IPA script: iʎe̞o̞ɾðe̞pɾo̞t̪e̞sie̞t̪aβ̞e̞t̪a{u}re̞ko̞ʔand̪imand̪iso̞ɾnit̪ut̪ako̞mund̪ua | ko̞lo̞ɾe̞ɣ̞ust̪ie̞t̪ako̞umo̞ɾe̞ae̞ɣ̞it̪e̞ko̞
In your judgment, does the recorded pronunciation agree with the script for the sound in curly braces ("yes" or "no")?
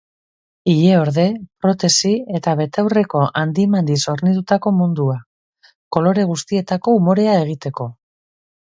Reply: no